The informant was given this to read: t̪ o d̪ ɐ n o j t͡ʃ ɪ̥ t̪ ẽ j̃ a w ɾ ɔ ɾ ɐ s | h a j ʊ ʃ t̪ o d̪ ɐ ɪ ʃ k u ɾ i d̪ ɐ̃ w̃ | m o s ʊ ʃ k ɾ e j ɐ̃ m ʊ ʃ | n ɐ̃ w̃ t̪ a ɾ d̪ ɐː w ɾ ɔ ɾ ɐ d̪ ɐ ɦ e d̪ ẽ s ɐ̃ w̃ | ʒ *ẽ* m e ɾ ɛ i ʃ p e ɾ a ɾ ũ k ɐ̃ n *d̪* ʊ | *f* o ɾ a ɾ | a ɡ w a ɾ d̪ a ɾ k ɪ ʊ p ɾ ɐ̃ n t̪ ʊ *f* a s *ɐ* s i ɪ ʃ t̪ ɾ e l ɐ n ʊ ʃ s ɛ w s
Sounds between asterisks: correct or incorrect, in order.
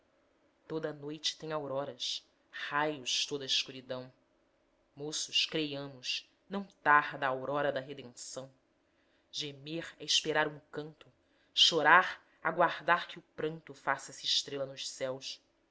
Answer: incorrect, incorrect, incorrect, correct, correct

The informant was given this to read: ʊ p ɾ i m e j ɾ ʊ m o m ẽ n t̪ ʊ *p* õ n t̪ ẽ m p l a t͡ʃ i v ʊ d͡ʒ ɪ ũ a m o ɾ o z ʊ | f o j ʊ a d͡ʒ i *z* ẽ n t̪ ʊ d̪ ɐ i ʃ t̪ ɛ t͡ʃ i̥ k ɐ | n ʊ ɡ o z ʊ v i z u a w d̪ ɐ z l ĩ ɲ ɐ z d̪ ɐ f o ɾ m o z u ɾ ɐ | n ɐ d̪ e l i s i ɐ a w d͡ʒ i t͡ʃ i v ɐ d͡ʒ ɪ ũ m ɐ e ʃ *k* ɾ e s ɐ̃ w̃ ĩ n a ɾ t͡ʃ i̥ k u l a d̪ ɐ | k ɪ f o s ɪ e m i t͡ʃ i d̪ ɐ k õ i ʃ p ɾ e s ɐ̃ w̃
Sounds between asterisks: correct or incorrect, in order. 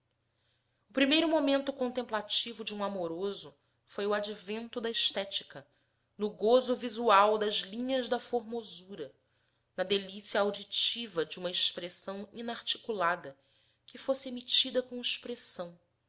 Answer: incorrect, incorrect, incorrect

